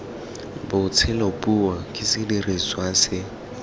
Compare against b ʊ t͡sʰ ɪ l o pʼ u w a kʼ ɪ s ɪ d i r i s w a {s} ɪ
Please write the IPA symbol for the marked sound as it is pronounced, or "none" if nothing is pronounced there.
s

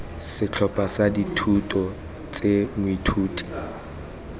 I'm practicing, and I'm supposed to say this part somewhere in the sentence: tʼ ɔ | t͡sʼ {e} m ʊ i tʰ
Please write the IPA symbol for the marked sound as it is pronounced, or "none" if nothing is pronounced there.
e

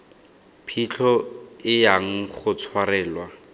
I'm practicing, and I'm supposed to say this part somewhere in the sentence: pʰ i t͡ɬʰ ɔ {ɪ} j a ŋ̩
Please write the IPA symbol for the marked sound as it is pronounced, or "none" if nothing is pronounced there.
ɪ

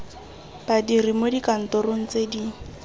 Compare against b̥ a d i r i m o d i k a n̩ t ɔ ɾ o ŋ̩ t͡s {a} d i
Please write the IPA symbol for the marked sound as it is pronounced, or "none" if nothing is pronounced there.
e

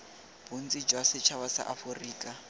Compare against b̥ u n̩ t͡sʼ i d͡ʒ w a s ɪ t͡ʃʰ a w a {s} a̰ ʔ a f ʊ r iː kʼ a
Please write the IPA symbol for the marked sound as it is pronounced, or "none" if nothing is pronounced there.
s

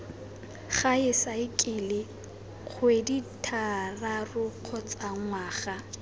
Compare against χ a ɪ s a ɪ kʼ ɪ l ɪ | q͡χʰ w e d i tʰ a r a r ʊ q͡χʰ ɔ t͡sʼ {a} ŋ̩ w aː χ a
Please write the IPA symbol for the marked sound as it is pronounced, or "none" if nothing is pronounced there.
a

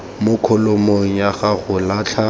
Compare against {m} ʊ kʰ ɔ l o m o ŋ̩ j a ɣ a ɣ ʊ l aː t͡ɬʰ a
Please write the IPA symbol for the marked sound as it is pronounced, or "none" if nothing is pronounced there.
m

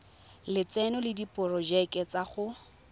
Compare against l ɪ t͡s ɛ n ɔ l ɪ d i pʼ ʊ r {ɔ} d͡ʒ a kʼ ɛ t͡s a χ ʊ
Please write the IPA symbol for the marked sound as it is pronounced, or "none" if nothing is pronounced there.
ɔ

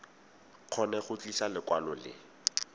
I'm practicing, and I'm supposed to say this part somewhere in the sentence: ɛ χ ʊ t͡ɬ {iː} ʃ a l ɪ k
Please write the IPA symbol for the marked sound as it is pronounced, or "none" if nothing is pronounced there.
i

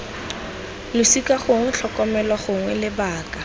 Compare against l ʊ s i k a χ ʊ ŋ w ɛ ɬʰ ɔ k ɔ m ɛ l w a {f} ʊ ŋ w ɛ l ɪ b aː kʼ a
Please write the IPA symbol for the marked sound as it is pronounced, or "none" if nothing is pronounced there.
χ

